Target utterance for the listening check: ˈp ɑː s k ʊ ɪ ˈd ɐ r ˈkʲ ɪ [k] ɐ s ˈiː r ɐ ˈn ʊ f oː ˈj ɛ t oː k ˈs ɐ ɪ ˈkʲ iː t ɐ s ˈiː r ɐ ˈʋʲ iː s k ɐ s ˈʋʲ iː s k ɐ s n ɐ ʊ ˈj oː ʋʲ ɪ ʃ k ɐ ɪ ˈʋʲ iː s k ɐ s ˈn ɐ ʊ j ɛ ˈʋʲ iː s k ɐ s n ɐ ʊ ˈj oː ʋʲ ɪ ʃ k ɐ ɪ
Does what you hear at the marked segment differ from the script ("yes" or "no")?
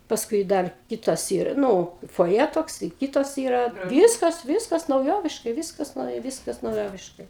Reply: yes